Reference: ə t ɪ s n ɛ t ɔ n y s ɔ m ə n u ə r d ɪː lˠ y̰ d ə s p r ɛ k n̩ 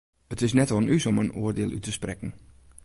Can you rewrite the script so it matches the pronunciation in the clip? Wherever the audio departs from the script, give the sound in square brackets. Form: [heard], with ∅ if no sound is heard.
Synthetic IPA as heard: ə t ɪ s n ɛ t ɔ n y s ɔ m ə n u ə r d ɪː lˠ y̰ [t] ə s p r ɛ k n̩

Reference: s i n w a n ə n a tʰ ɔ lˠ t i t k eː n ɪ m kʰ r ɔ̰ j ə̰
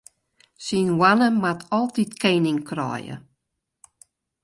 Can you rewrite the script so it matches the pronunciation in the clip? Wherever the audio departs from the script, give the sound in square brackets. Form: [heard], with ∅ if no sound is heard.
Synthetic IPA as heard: s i n w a n ə [m] a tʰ ɔ lˠ t i t k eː n ɪ [ŋ] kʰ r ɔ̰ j ə̰

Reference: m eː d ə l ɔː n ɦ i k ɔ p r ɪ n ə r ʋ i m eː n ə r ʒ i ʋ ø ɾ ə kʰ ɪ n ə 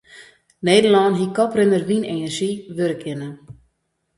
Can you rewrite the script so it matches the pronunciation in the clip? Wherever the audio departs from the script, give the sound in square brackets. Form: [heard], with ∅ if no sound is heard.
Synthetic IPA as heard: [n] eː d ə l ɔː n ɦ i k ɔ p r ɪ n ə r ʋ i [n] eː n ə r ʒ i ʋ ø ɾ ə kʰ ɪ n ə

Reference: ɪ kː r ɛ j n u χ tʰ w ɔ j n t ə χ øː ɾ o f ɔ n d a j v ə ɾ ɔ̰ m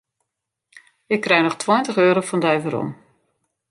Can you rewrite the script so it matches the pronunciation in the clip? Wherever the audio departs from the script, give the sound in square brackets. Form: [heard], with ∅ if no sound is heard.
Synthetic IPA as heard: ɪ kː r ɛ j n [ɔ] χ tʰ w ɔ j n t ə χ øː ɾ o f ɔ n d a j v ə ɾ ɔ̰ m

